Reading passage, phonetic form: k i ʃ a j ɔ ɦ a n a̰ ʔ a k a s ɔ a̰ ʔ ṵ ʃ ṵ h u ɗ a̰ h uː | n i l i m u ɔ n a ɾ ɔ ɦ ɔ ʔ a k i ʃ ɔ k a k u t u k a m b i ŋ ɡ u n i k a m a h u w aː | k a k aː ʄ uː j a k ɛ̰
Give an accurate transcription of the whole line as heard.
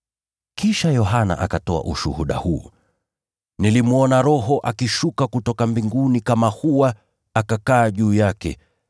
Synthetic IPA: k i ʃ a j ɔ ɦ a n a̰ ʔ a k a t ɔ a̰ ʔ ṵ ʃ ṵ h u ɗ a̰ h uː | n i l i m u ɔ n a ɾ ɔ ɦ ɔ ʔ a k i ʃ u k a k u t ɔ k a m b i ŋ ɡ u n i k a m a h u w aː | k a k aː ʄ uː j a k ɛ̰